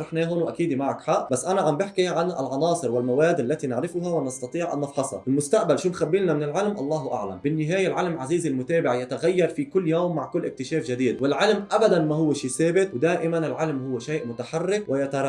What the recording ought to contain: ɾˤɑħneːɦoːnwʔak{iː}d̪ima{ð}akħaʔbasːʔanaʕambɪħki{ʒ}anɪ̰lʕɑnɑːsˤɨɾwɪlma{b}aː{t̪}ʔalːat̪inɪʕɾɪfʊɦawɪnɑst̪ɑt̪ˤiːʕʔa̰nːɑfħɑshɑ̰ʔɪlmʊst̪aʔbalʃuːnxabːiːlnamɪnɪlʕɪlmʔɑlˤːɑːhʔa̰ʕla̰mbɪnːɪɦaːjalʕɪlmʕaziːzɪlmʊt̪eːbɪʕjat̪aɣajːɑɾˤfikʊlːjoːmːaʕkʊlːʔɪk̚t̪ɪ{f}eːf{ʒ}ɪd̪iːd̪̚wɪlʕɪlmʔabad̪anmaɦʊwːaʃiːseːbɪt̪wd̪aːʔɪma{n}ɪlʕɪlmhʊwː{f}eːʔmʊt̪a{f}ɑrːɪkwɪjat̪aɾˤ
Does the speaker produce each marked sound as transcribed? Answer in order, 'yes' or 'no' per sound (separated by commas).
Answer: yes, no, no, no, no, no, yes, yes, no, no